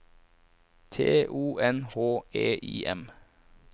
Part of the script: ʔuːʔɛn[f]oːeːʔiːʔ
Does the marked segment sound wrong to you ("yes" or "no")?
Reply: yes